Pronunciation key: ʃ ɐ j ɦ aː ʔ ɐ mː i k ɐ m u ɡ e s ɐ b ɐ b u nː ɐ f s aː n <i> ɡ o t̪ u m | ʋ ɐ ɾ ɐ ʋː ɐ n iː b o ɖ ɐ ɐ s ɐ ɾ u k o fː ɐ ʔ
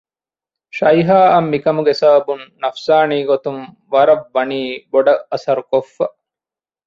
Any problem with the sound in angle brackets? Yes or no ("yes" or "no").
yes